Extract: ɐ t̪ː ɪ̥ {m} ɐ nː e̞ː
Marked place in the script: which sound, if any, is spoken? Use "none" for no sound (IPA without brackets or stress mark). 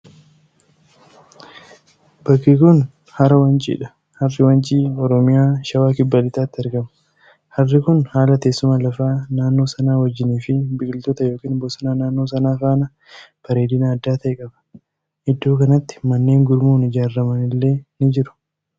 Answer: m